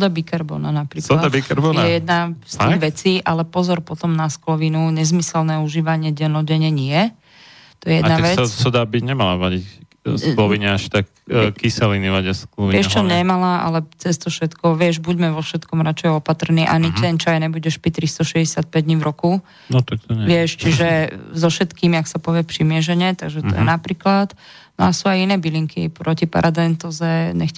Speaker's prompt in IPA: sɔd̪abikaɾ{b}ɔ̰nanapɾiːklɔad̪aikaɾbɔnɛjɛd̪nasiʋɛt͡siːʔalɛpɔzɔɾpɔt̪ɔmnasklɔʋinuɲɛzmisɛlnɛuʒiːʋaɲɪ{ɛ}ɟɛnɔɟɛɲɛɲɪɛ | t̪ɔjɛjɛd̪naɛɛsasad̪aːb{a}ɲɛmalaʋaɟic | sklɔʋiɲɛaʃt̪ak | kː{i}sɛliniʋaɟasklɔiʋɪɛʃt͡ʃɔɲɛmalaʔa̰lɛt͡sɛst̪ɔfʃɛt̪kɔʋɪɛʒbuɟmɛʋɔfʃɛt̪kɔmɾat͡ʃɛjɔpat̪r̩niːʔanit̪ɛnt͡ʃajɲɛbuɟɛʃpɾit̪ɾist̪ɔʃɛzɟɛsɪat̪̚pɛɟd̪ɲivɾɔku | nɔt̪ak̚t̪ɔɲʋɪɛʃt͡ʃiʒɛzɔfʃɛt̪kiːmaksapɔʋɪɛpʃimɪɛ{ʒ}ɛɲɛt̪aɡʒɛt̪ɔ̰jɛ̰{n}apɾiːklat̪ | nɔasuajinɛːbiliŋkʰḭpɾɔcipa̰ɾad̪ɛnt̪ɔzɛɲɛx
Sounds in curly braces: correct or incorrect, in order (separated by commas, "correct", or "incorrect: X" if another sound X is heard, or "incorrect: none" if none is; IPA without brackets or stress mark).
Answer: correct, correct, incorrect: i, correct, correct, correct